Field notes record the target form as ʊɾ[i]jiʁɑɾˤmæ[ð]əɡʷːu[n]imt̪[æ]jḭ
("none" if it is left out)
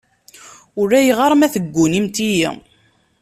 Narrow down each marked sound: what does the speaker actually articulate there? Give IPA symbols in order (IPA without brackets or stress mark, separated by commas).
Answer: æ, θ, n, i